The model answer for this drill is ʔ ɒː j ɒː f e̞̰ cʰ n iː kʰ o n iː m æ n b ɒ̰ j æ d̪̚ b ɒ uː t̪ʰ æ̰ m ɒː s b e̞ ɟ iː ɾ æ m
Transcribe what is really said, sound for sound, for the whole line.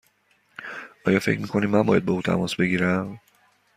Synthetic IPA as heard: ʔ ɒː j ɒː f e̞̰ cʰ m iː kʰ o n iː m æ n b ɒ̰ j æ d̪̚ b ɒ uː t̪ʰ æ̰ m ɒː s b e̞ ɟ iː ɾ æ m